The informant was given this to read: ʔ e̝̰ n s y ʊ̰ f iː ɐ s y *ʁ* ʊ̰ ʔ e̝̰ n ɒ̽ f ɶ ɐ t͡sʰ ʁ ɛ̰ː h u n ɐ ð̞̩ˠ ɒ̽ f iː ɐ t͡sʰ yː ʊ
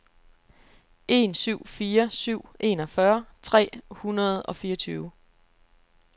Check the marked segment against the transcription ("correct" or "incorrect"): incorrect